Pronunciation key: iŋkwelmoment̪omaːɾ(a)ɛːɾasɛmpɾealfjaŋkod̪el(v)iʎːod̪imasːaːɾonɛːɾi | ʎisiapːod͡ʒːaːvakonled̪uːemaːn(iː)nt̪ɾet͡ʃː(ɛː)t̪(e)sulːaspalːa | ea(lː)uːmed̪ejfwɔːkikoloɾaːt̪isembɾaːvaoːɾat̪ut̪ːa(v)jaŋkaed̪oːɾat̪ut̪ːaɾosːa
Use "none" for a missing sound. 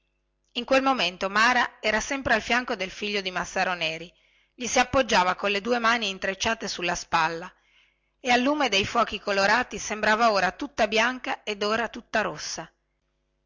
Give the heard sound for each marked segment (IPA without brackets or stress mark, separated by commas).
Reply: a, f, iː, aː, e, lː, b